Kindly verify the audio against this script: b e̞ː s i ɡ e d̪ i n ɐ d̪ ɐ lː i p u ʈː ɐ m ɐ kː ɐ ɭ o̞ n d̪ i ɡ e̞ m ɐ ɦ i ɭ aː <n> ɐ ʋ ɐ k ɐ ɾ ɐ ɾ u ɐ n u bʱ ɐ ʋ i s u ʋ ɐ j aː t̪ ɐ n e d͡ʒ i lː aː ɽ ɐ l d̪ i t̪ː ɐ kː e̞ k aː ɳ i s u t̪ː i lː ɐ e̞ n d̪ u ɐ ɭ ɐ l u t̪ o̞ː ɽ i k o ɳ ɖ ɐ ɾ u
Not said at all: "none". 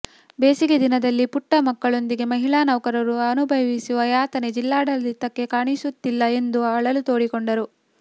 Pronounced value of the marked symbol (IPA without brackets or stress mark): n